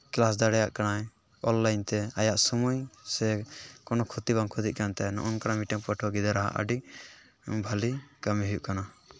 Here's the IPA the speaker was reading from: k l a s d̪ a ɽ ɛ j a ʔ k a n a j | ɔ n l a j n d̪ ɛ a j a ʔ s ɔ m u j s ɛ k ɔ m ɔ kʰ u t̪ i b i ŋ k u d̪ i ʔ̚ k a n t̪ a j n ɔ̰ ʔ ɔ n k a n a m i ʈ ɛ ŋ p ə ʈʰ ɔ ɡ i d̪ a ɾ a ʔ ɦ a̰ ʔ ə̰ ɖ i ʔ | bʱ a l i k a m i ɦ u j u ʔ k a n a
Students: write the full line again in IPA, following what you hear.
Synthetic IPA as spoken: k l a s d̪ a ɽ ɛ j a ʔ k a n a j | ɔ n l a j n t̪ ɛ a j a ʔ s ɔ m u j s ɛ k ɔ n ɔ kʰ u t̪ i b a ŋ kʰ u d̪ i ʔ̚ k a n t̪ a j n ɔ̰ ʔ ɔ n k a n a m i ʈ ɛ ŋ p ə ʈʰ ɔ ɡ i d̪ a ɾ a ɦ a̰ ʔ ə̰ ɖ i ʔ | bʱ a l i k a m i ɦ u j u ʔ k a n a